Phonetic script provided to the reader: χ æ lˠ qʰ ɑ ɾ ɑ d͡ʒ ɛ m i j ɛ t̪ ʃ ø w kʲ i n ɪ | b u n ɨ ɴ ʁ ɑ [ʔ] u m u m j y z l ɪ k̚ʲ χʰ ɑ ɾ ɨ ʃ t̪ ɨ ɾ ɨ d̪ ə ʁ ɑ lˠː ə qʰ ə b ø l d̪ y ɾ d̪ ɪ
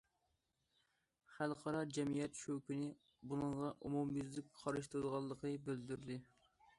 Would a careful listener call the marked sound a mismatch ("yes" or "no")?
no